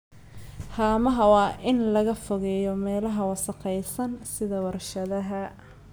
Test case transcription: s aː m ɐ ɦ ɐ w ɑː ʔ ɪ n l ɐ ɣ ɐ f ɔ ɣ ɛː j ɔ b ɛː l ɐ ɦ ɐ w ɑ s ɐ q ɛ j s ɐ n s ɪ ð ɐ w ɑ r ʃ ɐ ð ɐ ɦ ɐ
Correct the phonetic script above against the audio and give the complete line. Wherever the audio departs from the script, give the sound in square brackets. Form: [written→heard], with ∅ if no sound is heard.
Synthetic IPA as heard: [s→h] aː m ɐ ɦ ɐ w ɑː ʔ ɪ n l ɐ ɣ ɐ f ɔ ɣ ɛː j ɔ [b→m] ɛː l ɐ ɦ ɐ w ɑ s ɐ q ɛ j s ɐ n s ɪ ð ɐ w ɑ r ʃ ɐ ð ɐ ɦ ɐ